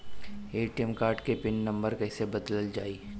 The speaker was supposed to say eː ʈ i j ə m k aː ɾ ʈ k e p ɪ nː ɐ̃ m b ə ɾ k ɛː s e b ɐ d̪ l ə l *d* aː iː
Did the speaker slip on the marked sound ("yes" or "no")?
yes